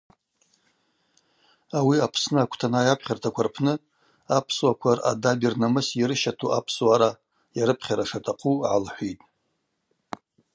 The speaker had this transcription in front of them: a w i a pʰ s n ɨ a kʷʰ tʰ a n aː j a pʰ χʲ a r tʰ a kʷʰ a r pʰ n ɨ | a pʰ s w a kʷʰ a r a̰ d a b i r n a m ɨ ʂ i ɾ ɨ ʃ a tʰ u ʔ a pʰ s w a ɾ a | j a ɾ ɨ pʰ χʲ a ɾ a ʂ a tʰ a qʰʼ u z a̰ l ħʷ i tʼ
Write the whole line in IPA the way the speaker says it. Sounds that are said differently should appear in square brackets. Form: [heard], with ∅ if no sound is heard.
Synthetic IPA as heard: a w i a pʰ s n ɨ a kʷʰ tʰ a n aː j a pʰ χʲ a r tʰ a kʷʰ a r pʰ n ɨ | a pʰ s w a kʷʰ a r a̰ d a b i r n a m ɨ [s] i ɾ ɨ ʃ a tʰ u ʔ a pʰ s w a ɾ a | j a ɾ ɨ pʰ χʲ a ɾ a ʂ a tʰ a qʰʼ u [ʕ] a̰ l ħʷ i tʼ